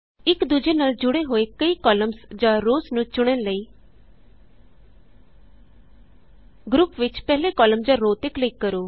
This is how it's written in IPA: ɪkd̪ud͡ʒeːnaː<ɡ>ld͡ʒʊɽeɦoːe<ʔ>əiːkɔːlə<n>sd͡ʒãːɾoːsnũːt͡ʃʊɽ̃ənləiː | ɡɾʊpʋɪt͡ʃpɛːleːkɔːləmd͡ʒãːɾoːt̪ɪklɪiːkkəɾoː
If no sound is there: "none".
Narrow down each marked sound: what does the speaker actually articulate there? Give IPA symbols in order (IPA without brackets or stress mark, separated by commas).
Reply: none, k, m